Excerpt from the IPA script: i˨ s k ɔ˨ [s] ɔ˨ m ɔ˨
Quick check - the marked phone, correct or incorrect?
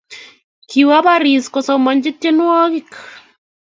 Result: correct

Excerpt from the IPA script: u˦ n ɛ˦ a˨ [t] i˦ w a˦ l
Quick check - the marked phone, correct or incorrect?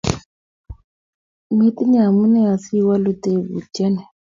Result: incorrect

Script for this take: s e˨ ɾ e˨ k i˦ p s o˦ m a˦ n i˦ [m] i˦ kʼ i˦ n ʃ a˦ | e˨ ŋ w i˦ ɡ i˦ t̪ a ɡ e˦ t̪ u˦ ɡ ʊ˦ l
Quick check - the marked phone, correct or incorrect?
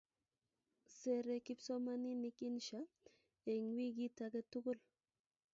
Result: incorrect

